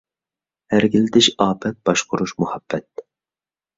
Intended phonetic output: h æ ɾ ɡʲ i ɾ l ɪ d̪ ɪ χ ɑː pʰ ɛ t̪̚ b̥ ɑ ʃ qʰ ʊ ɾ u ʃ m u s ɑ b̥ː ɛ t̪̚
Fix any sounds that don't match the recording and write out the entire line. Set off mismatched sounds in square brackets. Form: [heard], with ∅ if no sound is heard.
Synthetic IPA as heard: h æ ɾ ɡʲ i [∅] l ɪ d̪ ɪ [ʃ] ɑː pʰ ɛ t̪̚ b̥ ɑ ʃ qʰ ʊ ɾ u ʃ m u [h] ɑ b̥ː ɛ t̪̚